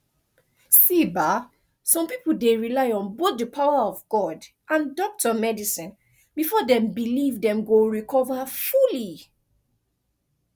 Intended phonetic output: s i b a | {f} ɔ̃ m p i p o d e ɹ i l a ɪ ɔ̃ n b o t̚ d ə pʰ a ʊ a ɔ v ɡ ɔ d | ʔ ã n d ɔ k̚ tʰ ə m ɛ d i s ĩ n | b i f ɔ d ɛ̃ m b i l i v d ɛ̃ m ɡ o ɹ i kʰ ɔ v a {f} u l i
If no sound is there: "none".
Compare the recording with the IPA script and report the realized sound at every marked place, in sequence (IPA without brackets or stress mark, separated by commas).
s, f